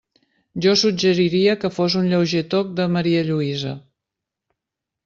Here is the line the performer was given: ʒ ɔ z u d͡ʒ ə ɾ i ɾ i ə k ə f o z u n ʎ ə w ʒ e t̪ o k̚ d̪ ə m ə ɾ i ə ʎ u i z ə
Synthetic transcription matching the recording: ʒ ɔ s u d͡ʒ ə ɾ i ɾ i ə k ə f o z u n ʎ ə w ʒ e t̪ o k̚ d̪ ə m ə ɾ i ə ʎ u i z ə